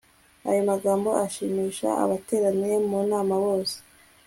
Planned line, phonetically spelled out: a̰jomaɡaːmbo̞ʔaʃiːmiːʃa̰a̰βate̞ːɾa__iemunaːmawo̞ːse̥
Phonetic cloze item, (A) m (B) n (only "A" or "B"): B